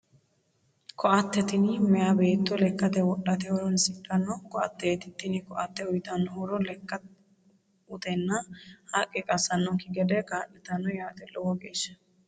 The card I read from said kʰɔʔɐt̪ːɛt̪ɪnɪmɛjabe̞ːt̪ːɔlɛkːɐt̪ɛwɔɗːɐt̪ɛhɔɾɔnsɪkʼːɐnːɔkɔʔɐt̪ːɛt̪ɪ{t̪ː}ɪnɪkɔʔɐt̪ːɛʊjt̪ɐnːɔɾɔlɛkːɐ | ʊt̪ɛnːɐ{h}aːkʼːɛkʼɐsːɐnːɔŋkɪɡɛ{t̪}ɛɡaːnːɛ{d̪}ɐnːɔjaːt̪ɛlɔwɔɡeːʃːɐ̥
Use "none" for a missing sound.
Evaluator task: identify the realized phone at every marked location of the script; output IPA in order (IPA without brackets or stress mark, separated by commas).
t̪ː, h, d̪, t̪